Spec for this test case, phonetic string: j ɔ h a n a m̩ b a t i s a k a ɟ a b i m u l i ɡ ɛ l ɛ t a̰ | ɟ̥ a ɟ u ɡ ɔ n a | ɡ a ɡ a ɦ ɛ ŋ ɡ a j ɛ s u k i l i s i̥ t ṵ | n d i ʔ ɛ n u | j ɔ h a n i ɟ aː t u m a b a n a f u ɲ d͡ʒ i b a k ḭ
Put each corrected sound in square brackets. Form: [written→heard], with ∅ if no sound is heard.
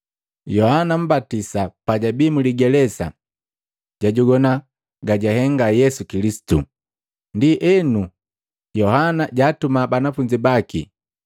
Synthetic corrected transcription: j ɔ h a n a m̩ b a t i s a [k→p] a ɟ a b i m u l i ɡ ɛ l ɛ [t→s] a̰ | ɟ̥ a ɟ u ɡ ɔ n a | ɡ a [ɡ→ɟ] a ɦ ɛ ŋ ɡ a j ɛ s u k i l i s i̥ t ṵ | n d i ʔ ɛ n u | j ɔ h a n [i→a] ɟ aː t u m a b a n a f u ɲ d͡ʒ i b a k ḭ